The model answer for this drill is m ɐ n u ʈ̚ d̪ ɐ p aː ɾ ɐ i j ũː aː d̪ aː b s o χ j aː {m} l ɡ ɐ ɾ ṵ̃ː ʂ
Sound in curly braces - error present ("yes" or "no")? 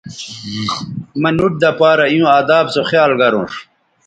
yes